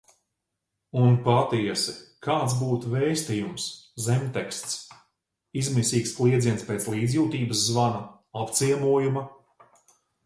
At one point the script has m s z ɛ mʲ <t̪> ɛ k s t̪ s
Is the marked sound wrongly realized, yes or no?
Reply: no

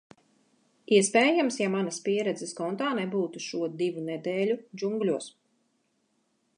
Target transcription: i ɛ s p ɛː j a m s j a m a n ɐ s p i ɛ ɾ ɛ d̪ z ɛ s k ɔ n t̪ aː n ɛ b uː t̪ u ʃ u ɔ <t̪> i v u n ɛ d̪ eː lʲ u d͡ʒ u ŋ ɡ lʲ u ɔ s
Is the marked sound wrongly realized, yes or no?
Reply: yes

